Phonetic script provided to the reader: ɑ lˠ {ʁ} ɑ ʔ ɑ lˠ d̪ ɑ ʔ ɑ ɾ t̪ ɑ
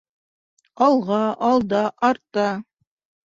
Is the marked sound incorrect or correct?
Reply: correct